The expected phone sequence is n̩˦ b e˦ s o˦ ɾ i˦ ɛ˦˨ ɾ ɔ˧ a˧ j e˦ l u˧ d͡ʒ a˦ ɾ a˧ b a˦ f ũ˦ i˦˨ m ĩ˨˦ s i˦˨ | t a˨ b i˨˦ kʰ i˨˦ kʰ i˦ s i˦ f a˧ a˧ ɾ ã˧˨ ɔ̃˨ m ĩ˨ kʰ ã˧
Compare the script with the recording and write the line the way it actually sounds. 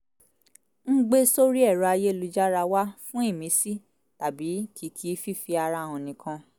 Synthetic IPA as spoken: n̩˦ ɡ͡b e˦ s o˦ ɾ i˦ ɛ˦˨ ɾ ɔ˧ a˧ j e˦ l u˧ d͡ʒ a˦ ɾ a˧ w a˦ f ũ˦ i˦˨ m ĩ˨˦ s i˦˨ | t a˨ b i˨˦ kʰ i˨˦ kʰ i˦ f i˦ f i˧ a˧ ɾ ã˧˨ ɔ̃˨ n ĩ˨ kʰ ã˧